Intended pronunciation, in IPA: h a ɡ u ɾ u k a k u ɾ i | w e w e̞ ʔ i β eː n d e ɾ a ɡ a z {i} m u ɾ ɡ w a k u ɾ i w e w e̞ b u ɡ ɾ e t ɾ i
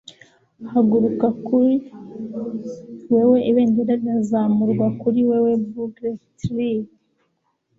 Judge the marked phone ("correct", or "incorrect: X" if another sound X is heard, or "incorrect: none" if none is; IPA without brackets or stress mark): incorrect: a